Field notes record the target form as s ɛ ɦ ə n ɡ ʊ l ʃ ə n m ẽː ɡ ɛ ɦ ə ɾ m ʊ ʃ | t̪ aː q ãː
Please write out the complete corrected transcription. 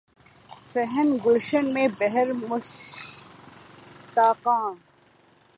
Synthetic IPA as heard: s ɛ ɦ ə n ɡ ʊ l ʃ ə n m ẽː b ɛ ɦ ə ɾ m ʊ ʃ | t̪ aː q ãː